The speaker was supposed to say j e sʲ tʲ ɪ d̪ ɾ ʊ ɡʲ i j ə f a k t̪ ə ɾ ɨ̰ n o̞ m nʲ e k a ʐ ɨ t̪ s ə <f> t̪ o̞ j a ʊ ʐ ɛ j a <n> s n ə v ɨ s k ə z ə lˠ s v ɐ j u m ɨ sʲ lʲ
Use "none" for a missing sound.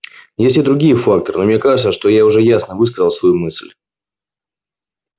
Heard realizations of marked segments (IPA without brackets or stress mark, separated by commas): ʂ, none